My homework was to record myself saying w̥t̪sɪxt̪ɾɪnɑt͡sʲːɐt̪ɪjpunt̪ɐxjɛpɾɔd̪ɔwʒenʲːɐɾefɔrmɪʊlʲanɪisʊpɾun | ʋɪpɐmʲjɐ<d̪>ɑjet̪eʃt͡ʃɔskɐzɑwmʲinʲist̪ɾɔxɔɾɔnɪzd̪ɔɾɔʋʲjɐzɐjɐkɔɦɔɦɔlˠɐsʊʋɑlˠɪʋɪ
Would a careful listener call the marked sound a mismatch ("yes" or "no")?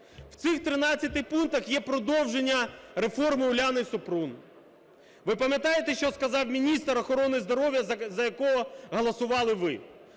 yes